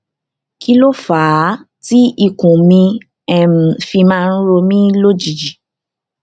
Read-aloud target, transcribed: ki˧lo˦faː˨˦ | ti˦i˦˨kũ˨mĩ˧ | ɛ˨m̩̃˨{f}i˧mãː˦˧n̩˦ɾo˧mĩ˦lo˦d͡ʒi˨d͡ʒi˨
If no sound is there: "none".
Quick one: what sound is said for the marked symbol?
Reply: f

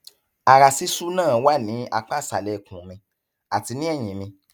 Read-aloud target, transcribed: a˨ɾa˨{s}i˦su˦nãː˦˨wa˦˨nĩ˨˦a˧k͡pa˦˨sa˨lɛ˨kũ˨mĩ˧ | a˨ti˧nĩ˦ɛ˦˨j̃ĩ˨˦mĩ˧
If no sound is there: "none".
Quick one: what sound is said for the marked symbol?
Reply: s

